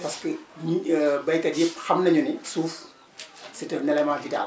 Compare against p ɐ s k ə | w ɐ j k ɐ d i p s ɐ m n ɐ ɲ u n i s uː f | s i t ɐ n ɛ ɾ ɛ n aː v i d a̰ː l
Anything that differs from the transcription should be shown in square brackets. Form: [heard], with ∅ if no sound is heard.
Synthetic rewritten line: p ɐ s k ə | [b] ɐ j k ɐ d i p [x] ɐ m n ɐ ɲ u n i s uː f | s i t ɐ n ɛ [l] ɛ [m] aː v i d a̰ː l